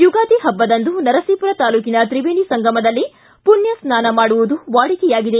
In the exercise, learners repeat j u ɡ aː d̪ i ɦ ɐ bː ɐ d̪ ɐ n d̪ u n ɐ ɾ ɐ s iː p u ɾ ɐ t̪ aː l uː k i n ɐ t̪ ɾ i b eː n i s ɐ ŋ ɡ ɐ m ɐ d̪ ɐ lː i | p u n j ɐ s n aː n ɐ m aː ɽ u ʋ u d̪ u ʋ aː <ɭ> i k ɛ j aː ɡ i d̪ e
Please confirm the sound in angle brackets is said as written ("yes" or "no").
no